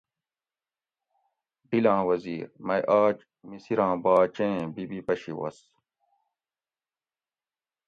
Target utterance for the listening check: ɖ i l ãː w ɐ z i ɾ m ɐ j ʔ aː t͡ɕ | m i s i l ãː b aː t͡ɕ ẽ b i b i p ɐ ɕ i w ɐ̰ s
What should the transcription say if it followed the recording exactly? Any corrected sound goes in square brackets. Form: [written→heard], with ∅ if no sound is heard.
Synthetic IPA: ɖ i l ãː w ɐ z [i→iː] ɾ m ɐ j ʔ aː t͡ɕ | m i s i [l→ɾ] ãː b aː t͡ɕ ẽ b i b i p ɐ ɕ i w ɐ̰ s